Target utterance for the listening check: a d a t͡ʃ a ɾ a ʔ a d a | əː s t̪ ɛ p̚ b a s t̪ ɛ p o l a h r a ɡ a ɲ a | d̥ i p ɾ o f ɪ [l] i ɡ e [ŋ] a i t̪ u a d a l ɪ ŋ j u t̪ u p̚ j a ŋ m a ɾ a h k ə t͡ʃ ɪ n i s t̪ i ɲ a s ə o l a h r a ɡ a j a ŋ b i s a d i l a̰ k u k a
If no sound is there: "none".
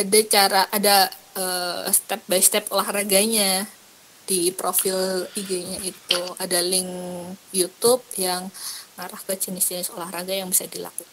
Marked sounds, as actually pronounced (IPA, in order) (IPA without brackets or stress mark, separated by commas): l, ɲ